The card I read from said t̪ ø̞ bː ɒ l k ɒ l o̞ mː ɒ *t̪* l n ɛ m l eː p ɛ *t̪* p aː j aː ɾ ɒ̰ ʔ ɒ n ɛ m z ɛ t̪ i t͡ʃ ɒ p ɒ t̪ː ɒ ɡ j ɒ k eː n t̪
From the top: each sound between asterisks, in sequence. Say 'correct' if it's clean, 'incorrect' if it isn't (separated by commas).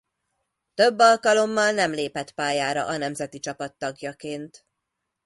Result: incorrect, correct